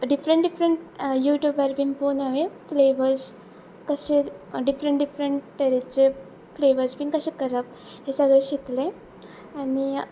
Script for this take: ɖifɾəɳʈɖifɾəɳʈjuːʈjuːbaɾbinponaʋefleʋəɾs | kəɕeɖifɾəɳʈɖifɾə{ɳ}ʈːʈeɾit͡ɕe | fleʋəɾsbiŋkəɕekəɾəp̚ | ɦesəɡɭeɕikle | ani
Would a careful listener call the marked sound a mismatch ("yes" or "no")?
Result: no